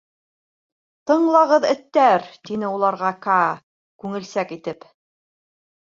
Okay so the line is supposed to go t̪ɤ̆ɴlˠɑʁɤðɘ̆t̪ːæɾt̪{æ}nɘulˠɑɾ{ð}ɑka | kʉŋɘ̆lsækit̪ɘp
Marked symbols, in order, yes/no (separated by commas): no, no